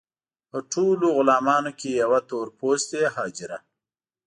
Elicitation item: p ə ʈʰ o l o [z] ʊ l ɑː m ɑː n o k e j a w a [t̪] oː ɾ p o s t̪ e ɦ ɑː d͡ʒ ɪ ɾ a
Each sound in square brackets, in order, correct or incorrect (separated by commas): incorrect, correct